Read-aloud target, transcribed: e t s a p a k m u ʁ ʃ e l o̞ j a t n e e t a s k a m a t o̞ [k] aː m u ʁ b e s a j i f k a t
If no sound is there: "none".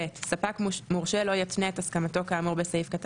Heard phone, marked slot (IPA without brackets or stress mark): k